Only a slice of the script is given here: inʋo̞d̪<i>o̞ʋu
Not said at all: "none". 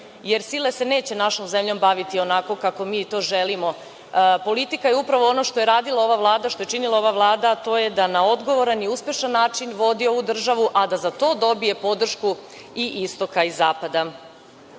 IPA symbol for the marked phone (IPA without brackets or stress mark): i